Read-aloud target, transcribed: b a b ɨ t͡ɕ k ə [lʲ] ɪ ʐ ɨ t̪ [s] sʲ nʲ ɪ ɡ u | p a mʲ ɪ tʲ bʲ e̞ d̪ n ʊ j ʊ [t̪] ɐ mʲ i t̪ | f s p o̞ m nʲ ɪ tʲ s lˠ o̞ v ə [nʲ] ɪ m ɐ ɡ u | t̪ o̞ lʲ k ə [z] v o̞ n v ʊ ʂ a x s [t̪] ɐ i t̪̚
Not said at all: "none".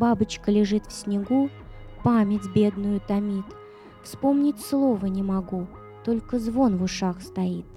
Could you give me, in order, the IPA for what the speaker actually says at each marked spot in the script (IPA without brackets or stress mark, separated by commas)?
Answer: lʲ, f, t̪, nʲ, z, t̪